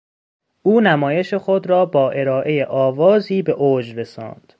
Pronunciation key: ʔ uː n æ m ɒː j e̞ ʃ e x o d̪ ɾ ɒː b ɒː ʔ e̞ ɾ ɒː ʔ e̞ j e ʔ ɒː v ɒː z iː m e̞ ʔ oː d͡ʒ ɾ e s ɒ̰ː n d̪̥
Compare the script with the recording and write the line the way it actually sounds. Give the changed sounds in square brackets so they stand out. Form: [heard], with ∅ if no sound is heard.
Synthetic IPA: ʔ uː n æ m ɒː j e̞ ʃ e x o d̪ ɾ ɒː b ɒː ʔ e̞ ɾ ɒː ʔ e̞ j e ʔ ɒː v ɒː z iː [b] e̞ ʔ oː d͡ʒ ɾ e s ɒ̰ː n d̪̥